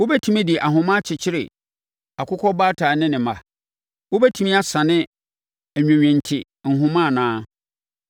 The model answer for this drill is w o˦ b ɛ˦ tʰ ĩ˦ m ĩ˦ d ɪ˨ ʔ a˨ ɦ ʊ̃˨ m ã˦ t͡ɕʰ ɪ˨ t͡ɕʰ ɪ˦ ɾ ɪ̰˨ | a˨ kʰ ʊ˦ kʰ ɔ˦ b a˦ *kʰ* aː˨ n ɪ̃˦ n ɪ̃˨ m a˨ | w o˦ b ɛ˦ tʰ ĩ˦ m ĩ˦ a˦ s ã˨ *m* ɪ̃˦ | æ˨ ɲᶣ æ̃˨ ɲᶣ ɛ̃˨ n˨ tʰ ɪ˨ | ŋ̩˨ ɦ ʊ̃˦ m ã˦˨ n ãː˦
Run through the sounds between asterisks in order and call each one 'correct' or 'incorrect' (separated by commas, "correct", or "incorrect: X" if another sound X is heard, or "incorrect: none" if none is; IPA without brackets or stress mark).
incorrect: tʰ, incorrect: n